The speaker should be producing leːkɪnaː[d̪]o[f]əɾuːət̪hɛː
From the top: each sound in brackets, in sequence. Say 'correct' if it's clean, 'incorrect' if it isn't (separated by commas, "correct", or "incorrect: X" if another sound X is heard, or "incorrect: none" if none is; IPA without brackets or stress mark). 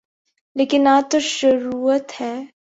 incorrect: t̪, incorrect: ʃ